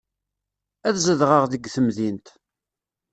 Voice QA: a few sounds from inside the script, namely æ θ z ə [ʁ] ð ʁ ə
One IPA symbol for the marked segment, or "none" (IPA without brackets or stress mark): none